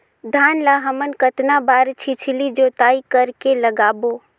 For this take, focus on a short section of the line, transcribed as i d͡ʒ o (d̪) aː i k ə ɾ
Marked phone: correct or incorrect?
incorrect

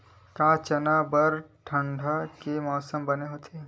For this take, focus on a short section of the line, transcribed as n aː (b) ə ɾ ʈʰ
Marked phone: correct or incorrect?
correct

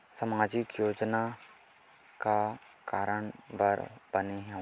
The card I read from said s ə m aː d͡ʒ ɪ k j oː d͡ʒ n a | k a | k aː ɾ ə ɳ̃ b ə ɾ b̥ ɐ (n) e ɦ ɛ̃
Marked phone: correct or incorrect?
correct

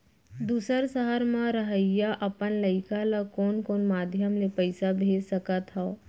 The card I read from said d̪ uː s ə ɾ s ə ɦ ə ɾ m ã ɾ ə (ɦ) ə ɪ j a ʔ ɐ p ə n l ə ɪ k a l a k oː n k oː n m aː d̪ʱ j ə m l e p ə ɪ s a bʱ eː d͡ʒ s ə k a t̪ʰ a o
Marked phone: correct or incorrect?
correct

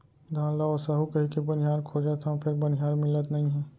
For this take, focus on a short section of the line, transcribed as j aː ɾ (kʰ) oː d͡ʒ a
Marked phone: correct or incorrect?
correct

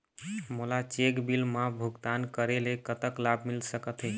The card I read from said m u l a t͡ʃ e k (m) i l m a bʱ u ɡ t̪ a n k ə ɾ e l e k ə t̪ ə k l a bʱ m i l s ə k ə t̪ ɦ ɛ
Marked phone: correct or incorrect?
incorrect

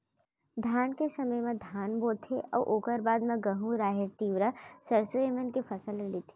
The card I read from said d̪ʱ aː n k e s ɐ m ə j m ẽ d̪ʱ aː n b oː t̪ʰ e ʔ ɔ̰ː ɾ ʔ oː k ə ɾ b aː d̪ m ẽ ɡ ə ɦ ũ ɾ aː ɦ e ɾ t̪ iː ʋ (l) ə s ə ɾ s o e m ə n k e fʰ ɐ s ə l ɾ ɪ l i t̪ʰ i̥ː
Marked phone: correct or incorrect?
incorrect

